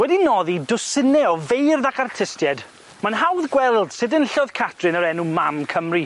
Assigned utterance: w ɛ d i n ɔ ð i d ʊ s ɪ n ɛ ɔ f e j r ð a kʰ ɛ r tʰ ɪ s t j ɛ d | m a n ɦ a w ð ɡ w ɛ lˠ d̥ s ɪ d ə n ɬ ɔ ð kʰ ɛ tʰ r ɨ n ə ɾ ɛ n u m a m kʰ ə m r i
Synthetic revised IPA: w ɛ d i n ɔ ð i d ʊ s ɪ n ɛ ɔ v e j r ð a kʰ a r tʰ ɪ s t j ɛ d | m a n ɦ a w ð ɡ w ɛ lˠ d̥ s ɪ d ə n ɬ ɔ ð kʰ a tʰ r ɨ n ə ɾ ɛ n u m a m kʰ ə m r i